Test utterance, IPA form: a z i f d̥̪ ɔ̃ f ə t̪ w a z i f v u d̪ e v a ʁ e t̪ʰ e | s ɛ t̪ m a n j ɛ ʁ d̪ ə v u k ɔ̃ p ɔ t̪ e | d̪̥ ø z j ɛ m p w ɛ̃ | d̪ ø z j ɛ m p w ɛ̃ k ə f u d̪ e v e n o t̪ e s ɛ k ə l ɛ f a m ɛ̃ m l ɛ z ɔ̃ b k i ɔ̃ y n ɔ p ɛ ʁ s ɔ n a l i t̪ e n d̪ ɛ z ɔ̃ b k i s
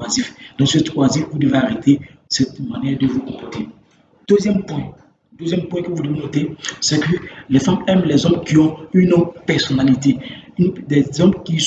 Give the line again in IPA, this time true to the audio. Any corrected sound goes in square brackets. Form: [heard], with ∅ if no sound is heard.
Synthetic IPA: a z i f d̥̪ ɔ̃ [s] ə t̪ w a z i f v u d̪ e v a ʁ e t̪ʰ e | s ɛ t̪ m a n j ɛ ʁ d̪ ə v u k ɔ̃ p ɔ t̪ e | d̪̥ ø z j ɛ m p w ɛ̃ | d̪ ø z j ɛ m p w ɛ̃ k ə [v] u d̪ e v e n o t̪ e s ɛ k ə l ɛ f a m [ɛ] m l ɛ z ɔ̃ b k i ɔ̃ y n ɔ p ɛ ʁ s ɔ n a l i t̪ e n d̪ ɛ z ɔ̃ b k i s